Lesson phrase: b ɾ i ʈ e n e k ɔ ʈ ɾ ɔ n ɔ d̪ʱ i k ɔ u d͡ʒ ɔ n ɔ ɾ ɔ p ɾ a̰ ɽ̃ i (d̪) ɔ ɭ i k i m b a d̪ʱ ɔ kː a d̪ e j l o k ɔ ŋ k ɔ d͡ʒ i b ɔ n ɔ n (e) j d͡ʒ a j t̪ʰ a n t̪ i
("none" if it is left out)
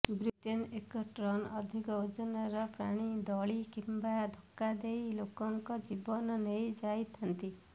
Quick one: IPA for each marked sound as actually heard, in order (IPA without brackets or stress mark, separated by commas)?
d̪, e